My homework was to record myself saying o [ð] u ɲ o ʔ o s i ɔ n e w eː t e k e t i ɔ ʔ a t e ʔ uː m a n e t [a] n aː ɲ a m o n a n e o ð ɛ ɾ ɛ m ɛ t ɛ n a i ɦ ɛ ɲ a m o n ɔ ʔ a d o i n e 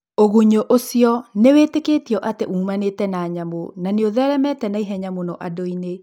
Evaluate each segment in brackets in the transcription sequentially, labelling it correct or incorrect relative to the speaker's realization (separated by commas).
incorrect, incorrect